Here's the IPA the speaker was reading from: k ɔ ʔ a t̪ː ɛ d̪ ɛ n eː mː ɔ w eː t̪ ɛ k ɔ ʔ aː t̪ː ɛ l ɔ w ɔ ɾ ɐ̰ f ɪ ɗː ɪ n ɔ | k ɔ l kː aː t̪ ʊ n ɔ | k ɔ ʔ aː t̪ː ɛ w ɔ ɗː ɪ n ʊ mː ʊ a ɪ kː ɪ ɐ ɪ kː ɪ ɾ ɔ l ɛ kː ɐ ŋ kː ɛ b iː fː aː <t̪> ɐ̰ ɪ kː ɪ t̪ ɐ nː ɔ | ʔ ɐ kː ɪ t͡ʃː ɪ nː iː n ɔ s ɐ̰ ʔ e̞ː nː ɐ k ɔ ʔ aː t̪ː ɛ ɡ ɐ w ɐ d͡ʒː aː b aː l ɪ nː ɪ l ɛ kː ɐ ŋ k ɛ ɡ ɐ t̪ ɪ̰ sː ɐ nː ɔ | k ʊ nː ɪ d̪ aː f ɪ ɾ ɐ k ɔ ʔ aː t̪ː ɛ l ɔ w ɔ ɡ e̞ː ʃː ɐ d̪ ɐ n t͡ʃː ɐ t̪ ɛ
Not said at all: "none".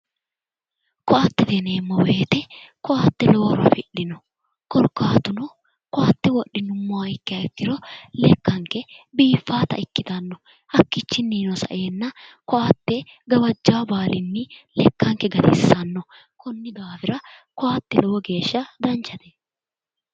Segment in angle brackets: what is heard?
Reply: t̪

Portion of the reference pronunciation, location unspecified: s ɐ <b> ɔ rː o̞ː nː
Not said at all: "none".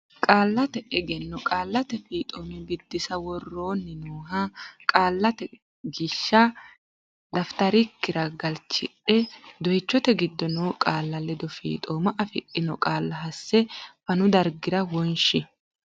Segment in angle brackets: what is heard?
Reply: w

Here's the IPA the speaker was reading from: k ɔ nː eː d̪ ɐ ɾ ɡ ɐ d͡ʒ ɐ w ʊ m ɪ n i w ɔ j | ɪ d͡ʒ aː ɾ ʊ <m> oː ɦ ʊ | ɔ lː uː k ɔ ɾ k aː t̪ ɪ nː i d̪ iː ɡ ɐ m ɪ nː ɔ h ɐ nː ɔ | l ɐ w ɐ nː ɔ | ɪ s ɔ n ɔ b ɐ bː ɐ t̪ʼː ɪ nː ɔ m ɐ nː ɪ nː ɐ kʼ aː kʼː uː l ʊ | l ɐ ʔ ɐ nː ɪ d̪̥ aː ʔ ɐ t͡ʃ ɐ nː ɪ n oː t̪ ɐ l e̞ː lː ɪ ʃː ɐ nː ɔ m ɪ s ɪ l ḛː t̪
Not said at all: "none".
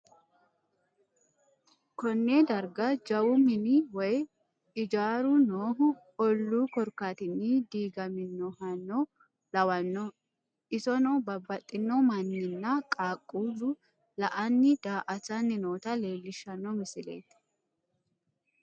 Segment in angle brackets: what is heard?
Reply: n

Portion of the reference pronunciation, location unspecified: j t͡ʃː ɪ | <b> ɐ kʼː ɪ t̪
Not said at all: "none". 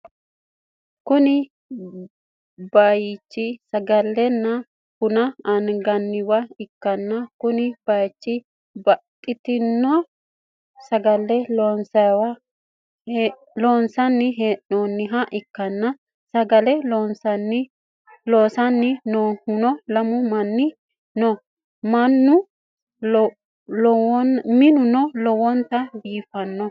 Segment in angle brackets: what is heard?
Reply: b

